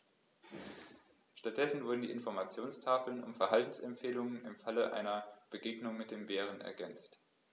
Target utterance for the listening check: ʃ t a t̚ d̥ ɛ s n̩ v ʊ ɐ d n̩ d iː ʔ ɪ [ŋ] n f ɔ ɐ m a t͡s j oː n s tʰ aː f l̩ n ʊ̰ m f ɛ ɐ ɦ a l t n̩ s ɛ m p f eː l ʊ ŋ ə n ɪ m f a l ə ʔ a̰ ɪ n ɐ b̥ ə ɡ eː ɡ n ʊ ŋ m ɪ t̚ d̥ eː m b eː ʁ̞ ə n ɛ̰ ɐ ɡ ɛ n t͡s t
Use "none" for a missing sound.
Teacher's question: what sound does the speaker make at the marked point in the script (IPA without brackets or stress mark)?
none